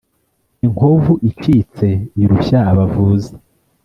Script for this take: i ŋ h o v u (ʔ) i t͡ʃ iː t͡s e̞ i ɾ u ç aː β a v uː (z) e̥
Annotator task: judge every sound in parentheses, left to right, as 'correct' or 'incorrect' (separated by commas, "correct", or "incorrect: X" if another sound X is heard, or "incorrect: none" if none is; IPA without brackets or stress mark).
correct, correct